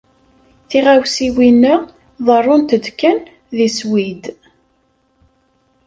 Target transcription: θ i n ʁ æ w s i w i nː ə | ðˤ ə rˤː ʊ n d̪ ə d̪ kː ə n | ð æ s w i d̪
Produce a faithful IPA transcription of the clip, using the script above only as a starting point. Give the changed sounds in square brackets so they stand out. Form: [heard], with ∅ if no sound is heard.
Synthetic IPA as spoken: θ i [∅] ʁ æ w s i w i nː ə | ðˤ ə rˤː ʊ n [t̪] ə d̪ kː ə n | ð [i] s w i d̪